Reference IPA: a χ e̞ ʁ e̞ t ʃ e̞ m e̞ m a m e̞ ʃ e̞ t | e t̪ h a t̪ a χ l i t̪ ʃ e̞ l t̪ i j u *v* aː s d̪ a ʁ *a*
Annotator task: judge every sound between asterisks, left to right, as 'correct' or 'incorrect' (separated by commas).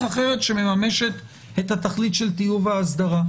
correct, correct